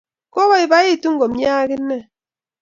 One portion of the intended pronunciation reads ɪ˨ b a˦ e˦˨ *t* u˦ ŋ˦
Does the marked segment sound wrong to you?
no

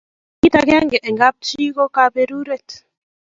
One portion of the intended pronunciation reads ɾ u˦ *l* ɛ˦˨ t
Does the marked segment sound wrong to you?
yes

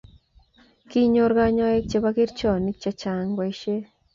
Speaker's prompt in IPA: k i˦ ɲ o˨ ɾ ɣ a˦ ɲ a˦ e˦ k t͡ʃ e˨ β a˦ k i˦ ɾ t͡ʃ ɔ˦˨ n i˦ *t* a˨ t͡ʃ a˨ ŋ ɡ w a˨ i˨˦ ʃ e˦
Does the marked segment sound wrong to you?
yes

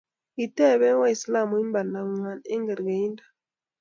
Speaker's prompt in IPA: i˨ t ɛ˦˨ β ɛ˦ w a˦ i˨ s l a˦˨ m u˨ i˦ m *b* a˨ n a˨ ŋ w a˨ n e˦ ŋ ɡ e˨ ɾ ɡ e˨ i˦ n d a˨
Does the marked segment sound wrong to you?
no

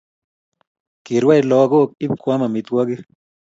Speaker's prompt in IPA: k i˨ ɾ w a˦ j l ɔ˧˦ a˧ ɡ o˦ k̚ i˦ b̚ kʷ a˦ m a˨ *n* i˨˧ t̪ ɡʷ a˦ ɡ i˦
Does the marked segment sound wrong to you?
yes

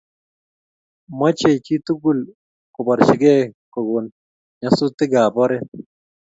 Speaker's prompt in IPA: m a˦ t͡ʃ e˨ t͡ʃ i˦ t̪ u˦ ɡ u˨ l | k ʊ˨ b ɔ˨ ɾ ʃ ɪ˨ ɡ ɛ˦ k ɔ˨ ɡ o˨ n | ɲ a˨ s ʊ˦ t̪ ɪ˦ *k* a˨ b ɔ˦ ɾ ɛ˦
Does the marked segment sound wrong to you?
yes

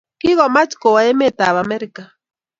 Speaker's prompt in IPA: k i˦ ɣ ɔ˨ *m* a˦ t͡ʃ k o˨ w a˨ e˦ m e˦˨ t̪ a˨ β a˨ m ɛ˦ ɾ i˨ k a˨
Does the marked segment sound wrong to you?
no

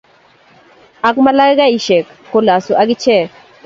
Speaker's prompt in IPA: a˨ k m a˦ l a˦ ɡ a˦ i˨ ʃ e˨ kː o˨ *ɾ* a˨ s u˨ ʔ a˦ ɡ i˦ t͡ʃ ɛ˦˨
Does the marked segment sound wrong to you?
yes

